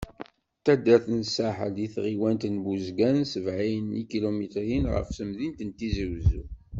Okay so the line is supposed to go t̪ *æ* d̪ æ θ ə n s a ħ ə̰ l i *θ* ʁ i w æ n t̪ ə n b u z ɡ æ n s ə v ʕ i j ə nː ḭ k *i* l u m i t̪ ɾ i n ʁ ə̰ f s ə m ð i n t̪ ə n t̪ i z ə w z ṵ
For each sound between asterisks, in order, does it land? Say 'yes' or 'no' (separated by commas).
yes, yes, yes